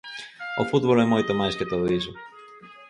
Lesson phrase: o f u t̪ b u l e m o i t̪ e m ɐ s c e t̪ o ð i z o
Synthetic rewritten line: o f u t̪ b o l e m o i t̪ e m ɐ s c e t̪ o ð i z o